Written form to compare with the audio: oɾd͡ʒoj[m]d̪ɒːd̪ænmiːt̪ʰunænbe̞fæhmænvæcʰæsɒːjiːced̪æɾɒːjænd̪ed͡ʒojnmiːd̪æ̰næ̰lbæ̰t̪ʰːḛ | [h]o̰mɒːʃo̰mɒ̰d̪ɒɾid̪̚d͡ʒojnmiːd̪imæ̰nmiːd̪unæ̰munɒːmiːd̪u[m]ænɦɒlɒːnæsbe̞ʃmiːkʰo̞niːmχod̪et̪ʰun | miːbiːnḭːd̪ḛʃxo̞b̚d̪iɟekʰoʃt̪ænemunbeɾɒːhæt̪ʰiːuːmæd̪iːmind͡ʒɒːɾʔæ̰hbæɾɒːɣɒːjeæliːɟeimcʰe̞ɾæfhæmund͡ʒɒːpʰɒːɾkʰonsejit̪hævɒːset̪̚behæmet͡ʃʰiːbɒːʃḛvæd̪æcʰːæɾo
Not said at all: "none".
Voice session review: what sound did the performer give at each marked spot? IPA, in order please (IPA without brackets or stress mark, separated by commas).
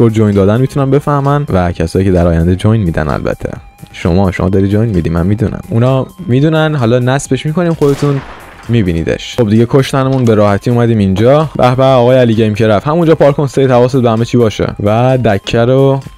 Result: n, ʃ, n